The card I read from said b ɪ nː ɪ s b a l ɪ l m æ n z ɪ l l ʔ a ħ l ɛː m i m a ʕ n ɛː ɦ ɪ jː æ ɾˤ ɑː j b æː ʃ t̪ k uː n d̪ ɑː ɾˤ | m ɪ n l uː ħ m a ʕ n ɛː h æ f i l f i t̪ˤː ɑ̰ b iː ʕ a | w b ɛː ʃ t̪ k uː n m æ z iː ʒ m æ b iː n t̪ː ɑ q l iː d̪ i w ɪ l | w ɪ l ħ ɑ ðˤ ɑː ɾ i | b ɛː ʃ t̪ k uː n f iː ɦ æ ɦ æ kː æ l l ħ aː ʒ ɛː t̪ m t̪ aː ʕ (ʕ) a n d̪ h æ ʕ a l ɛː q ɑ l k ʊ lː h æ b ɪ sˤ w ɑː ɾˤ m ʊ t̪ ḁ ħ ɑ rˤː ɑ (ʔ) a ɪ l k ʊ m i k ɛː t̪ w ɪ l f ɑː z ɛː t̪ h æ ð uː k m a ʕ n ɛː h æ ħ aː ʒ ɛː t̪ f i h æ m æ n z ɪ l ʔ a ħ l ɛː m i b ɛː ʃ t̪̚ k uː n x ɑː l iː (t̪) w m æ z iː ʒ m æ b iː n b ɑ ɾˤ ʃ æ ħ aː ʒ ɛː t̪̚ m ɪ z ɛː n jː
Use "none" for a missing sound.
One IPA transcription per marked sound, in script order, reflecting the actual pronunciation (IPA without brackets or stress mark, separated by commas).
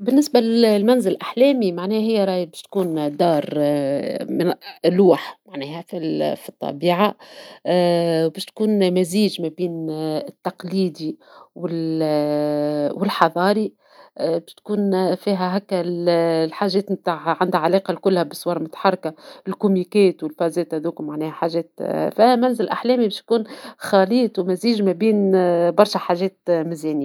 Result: ʕ, k, t̪